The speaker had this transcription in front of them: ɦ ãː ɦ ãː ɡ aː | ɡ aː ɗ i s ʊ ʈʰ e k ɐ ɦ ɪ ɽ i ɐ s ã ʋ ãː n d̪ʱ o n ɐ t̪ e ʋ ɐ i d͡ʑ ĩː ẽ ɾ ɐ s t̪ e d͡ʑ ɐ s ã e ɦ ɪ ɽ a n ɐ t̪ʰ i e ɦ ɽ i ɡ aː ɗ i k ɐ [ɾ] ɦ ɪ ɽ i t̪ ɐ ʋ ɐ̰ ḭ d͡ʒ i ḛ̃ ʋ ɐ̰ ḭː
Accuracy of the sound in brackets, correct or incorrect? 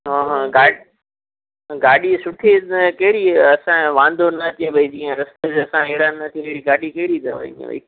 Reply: incorrect: none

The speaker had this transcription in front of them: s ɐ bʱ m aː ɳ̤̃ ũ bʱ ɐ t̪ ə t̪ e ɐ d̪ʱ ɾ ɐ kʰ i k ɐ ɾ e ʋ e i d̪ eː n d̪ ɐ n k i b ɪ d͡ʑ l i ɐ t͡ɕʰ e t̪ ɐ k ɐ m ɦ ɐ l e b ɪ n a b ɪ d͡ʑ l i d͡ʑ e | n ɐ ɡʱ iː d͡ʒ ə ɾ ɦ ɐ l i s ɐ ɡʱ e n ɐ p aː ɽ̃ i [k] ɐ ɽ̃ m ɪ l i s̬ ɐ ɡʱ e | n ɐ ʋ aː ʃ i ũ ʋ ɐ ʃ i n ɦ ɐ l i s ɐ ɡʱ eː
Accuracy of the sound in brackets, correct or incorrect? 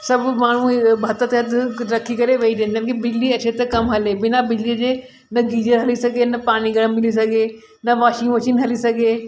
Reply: incorrect: ɡ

